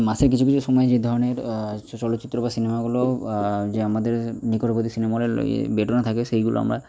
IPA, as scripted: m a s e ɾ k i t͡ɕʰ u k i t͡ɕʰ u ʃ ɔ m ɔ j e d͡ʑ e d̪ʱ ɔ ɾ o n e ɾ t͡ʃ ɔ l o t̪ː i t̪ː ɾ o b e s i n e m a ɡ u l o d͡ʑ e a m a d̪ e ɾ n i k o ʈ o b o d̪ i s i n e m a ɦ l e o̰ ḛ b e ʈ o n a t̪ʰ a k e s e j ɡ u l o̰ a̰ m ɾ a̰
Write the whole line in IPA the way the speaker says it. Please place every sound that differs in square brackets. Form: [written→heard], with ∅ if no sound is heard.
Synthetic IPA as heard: m a s e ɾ k i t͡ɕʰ u k i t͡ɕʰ u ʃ ɔ m ɔ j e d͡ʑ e d̪ʱ ɔ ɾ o n e ɾ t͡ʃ ɔ l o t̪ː i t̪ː ɾ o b [e→a] s i n e m a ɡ u l o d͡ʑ e a m a d̪ e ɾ n i k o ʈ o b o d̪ i s i n e m a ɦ l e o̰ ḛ b e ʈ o n a t̪ʰ a k e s e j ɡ u l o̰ a̰ m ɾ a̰